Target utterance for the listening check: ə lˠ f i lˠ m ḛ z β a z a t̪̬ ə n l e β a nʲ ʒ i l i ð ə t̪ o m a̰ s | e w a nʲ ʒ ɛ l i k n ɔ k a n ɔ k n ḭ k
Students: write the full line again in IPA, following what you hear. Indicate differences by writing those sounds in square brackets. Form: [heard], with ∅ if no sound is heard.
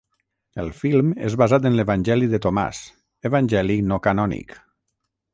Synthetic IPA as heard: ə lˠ f i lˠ m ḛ z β a z a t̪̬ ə n l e β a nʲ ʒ [ɛ] l i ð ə t̪ o m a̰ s | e [β] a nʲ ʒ ɛ l i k n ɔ k a n ɔ [∅] n ḭ k